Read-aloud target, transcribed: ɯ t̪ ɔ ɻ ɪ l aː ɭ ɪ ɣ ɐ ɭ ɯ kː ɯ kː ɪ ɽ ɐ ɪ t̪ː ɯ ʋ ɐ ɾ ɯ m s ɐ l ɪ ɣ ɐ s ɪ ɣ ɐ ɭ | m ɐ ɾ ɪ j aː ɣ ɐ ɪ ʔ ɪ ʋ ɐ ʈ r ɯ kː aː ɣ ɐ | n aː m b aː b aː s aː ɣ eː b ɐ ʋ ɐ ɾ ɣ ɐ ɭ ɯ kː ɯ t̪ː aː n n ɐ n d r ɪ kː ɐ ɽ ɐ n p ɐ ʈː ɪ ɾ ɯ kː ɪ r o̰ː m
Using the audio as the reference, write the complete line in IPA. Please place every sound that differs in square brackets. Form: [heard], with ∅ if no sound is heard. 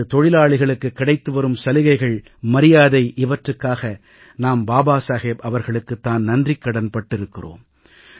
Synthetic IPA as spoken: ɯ t̪ ɔ ɻ ɪ l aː ɭ ɪ ɣ ɐ ɭ ɯ kː ɯ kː ɪ ɽ ɐ ɪ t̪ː ɯ ʋ ɐ ɾ ɯ m s ɐ l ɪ ɣ ɐ [∅] ɪ ɣ ɐ ɭ | m ɐ ɾ ɪ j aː [ð] ɐ ɪ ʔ ɪ ʋ ɐ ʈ r ɯ kː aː ɣ ɐ | n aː m b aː b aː s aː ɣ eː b ɐ ʋ ɐ ɾ ɣ ɐ ɭ ɯ kː ɯ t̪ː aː n n ɐ n d r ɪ kː ɐ ɽ ɐ n p ɐ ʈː ɪ ɾ ɯ kː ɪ r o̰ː m